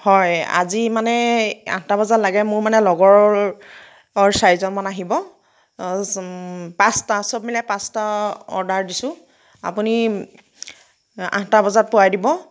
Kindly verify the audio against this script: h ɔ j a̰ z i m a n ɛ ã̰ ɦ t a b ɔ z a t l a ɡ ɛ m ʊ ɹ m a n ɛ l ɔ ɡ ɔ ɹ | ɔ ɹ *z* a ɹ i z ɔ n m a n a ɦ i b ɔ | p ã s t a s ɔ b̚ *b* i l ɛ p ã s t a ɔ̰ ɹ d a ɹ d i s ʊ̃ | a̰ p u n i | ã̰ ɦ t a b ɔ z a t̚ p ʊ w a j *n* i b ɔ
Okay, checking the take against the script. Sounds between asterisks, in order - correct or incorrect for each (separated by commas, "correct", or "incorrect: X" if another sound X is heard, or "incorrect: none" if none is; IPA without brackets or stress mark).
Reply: incorrect: s, incorrect: m, incorrect: d